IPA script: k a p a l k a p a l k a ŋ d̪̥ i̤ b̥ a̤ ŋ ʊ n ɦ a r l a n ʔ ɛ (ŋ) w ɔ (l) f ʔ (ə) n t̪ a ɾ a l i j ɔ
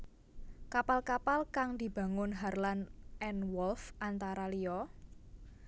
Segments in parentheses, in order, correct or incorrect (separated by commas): incorrect, correct, incorrect